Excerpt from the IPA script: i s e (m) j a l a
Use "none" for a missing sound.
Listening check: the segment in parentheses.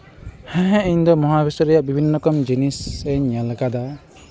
ɲ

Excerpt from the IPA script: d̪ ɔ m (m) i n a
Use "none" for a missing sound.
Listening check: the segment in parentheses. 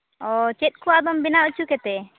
b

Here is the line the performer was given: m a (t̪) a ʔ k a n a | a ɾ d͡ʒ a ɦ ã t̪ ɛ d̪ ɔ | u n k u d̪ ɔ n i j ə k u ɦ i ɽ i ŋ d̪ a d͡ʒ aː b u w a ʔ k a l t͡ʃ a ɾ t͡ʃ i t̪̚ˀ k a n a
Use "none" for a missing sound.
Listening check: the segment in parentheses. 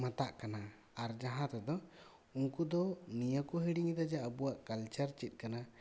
t̪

